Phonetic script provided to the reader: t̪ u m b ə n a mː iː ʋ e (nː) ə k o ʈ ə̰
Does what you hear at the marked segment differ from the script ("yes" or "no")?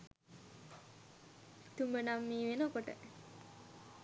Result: yes